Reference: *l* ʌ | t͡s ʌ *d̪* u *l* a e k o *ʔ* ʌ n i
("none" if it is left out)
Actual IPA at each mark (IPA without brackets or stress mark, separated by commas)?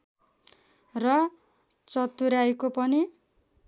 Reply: r, t̪, ɾ, p